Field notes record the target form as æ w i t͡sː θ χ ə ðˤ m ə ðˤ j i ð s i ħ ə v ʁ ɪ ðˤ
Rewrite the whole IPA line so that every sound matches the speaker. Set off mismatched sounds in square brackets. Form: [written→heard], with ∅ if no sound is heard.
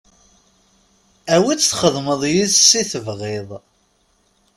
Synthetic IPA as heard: æ w i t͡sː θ χ ə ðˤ m ə ðˤ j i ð s i [ħ→θ] ə v ʁ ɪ ðˤ